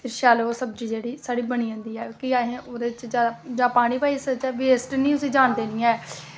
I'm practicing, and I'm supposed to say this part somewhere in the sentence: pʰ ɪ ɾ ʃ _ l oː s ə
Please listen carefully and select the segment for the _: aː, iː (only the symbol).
aː